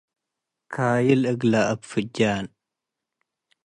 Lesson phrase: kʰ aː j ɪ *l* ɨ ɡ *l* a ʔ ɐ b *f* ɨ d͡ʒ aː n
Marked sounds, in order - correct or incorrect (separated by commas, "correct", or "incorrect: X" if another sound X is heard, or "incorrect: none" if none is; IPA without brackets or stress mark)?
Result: correct, correct, correct